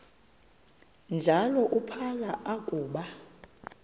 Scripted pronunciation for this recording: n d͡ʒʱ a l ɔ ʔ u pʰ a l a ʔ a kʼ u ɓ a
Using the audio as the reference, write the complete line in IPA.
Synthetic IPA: n d͡ʒʱ a l ɔ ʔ u pʰ a l a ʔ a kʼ uː ɓ a

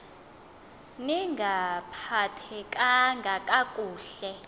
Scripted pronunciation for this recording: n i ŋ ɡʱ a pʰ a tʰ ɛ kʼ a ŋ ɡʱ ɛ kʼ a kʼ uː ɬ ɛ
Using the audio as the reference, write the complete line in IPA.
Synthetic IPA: n i ŋ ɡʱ a pʰ a tʰ ɛ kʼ a ŋ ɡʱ a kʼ a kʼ uː ɬ ɛ

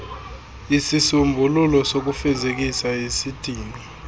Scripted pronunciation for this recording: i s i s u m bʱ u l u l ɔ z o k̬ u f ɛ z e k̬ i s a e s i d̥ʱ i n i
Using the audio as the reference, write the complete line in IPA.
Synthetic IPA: i s i s u m bʱ u l u l ɔ s o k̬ u f ɛ z e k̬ i s a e s i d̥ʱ iː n i

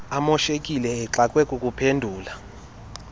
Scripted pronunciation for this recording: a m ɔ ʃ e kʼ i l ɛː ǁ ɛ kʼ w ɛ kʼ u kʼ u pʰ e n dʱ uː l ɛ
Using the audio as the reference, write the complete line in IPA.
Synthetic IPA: a m ɔ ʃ e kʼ i l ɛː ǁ a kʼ w ɛ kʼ u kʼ u pʰ e n dʱ uː l a

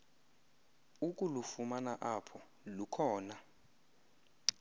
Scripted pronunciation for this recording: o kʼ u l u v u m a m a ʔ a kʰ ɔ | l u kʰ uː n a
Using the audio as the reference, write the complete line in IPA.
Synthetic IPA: u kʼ u l u f u m a n a ʔ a pʰ ɔ | l u kʰ ɔː n a

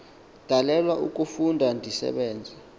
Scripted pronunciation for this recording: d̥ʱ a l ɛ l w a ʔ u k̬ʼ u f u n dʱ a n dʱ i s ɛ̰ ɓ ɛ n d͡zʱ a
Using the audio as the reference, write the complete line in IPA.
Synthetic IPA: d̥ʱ a l ɛ l w a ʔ u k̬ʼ u f u n dʱ a n dʱ i s ɛ̰ ɓ ɛː n d͡zʱ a

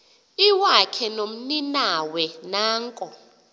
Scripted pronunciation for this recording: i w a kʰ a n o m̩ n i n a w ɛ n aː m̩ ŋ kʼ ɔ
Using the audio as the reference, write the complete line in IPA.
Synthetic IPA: i w a kʰ ɛ n o m̩ n i n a w ɛ n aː ŋ kʼ ɔ

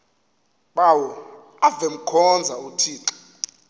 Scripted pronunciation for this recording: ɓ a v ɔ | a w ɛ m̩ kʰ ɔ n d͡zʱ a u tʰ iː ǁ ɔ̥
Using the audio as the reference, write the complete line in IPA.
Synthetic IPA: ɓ a w ɔ | a v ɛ m̩ kʰ ɔ n d͡zʱ a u tʰ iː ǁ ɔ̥

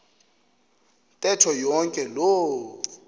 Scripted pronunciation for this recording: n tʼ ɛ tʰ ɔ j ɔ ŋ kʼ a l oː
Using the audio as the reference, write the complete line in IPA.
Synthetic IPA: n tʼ ɛ tʰ ɔ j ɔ ŋ kʼ ɛ l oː

